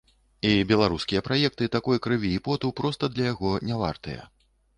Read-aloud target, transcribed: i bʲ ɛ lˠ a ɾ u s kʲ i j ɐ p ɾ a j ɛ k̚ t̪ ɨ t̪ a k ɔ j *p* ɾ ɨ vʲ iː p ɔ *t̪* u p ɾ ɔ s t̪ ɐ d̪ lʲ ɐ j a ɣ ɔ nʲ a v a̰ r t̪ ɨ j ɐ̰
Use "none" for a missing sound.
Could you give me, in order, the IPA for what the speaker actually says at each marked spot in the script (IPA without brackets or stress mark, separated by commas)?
k, t̪